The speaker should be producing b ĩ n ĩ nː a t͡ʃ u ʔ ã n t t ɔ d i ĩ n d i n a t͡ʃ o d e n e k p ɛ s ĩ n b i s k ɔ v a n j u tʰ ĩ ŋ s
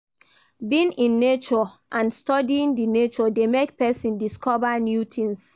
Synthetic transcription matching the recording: b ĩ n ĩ nː e t͡ʃ ɔ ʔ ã n s t ɔ d i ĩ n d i n e t͡ʃ ɔ d e m e k p ɛ s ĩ n d i s k ɔ v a n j u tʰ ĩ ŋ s